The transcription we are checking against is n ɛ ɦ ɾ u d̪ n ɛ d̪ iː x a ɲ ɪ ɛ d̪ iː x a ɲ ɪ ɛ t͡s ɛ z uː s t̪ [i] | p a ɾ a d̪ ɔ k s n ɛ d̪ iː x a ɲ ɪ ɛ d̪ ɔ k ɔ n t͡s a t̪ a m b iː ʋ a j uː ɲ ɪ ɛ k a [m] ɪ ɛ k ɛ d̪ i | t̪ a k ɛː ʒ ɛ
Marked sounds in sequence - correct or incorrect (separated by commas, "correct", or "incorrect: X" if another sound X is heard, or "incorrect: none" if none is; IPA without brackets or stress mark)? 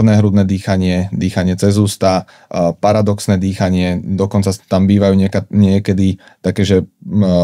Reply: incorrect: a, incorrect: ɲ